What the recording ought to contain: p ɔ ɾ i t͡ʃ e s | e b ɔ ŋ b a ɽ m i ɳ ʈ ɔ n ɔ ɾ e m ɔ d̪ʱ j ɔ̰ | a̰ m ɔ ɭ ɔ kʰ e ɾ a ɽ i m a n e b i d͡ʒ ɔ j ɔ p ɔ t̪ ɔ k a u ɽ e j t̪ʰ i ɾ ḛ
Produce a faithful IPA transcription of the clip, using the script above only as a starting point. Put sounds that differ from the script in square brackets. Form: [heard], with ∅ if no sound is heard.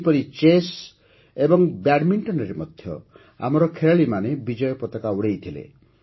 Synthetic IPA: p ɔ ɾ i t͡ʃ e s | e b ɔ ŋ b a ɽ m i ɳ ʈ ɔ n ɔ ɾ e m ɔ d̪ʱ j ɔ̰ | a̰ m ɔ [ɾ] ɔ kʰ e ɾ a [ɭ] i m a n e b i d͡ʒ ɔ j ɔ p ɔ t̪ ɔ k a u ɽ e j t̪ʰ i [l] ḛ